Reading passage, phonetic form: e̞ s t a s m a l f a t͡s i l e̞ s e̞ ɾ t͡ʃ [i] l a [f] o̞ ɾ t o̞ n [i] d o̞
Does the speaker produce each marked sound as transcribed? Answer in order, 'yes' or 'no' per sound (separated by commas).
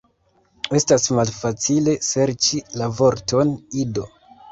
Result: yes, no, yes